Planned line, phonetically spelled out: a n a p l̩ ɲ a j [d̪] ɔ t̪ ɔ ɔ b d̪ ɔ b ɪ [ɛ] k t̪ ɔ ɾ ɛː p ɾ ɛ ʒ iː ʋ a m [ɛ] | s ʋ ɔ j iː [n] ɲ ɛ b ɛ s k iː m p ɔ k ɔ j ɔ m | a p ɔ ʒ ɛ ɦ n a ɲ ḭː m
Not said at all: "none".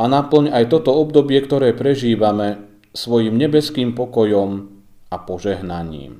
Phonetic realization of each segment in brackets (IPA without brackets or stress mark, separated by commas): t̪, ɛ, ɛ, m